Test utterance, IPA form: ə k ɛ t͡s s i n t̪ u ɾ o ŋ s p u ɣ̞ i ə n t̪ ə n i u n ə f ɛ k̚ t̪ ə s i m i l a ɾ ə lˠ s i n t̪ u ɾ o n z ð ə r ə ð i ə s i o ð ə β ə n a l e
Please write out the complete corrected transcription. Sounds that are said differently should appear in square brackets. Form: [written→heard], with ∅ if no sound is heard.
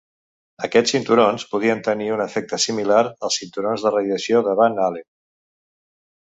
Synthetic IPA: ə k ɛ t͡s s i n t̪ u ɾ o [ŋ→n] s p u [ɣ̞→ð̞] i ə n t̪ ə n i u n ə f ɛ k̚ t̪ ə s i m i l a ɾ ə lˠ s i n t̪ u ɾ o n z ð ə r ə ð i ə s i o ð ə β [ə→a] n a l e